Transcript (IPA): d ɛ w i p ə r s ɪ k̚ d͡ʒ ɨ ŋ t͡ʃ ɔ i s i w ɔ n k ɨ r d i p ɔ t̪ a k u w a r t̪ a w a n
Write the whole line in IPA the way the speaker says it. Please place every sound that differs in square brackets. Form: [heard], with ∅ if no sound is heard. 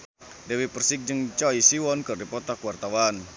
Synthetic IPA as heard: d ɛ w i p ə r s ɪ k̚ d͡ʒ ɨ ŋ t͡ʃ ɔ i s i w ɔ n k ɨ r d i p ɔ t̪ a k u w a r t̪ a w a n

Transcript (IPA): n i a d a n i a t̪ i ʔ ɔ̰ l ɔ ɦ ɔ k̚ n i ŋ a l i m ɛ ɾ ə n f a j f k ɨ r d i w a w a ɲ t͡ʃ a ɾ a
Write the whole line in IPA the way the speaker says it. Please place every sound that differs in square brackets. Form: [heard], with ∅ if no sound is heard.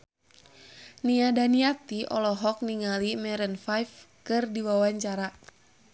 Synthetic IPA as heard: n i a d a n i a t̪ i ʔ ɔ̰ l ɔ ɦ ɔ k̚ n i ŋ a l i m ɛ ɾ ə n f a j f k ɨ r d i w a w a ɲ t͡ʃ a ɾ a

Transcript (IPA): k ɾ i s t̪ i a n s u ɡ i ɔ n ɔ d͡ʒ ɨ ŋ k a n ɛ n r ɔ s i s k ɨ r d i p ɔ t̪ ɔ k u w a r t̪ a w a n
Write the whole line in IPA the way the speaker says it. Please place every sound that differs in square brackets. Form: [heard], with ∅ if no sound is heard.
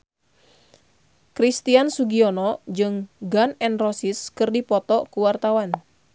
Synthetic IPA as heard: k ɾ i s t̪ i a n s u ɡ i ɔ n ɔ d͡ʒ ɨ ŋ [ɡ] a n ɛ n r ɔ s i s k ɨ r d i p ɔ t̪ ɔ k u w a r t̪ a w a n

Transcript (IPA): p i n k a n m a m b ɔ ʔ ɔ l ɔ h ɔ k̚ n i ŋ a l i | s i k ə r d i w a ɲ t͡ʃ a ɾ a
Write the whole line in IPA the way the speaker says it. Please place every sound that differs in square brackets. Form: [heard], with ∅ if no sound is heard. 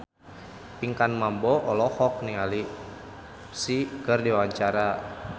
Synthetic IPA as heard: p i [ŋ] k a n m a m b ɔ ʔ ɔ l ɔ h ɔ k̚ n i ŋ a l i | s i k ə r d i w a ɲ t͡ʃ a ɾ a

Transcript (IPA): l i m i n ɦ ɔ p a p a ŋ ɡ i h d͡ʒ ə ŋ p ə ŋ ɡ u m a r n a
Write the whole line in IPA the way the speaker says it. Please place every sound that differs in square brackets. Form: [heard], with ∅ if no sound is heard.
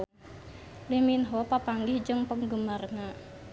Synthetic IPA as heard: l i m i n ɦ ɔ p a p a ŋ ɡ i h d͡ʒ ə ŋ p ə ŋ ɡ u m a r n a

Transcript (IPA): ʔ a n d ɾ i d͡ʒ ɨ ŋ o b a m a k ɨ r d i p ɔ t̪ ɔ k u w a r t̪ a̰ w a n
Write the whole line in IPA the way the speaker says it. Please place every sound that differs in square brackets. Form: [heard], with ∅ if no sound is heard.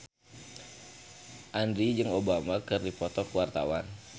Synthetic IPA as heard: ʔ a n d ɾ i d͡ʒ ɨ ŋ o b a m a k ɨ r d i p ɔ t̪ ɔ k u w a r t̪ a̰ w a n

